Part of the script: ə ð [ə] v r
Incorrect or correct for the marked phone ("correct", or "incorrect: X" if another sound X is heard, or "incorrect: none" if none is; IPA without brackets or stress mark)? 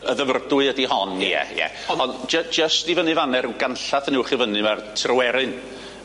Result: correct